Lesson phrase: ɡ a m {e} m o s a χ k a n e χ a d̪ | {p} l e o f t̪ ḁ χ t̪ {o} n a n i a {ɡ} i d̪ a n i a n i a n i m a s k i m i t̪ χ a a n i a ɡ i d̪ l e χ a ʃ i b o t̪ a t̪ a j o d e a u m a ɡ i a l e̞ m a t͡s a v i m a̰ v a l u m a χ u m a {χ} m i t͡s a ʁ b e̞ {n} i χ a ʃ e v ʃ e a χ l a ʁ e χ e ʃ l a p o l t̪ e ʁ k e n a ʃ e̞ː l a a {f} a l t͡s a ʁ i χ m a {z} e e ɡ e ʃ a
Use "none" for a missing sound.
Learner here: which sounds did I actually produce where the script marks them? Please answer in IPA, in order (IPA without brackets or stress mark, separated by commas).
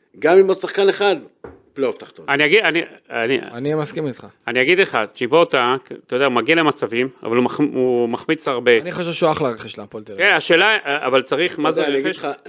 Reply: i, p, o, ɡ, χ, n, v, z